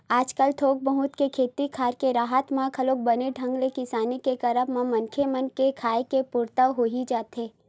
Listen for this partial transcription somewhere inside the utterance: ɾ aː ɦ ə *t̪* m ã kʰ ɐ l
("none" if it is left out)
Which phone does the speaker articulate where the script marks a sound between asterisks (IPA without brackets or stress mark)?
t̪